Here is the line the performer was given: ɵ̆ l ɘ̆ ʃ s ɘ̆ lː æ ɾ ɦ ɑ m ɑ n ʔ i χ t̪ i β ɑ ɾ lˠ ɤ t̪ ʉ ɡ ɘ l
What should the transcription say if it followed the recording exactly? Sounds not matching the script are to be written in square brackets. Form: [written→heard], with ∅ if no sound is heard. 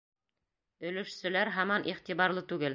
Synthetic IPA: ɵ̆ l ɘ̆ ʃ s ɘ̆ [lː→l] æ ɾ ɦ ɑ m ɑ n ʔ i χ t̪ i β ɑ ɾ lˠ ɤ t̪ ʉ ɡ ɘ l